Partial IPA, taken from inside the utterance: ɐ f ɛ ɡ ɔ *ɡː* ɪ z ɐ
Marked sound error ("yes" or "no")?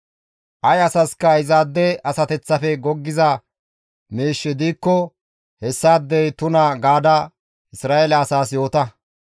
no